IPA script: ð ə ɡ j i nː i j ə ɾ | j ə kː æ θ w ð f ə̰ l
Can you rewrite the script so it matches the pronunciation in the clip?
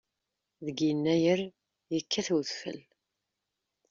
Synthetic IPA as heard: ð ə ɡ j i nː æ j ə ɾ | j ə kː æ θ w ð f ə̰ l